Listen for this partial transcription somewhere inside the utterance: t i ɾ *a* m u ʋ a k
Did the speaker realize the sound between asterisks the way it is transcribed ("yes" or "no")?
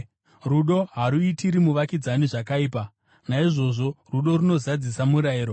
no